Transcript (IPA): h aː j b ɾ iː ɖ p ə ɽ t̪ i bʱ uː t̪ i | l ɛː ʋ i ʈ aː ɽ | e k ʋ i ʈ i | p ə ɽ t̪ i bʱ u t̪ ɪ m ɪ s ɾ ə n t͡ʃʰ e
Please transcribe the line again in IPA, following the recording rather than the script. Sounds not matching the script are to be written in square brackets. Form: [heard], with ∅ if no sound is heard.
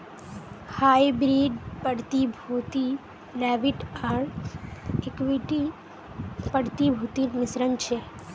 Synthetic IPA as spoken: h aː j b ɾ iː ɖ p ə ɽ t̪ i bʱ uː t̪ i | l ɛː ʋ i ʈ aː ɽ | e k ʋ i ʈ i | p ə ɽ t̪ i bʱ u t̪ [i] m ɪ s ɾ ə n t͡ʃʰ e